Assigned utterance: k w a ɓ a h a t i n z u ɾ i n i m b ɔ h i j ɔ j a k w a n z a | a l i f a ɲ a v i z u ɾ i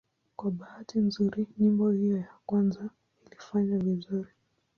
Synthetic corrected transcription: k w a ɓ a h a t i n z u ɾ i ɲ i m b ɔ h i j ɔ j a k w a n z a | i l i f a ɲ a v i z u ɾ i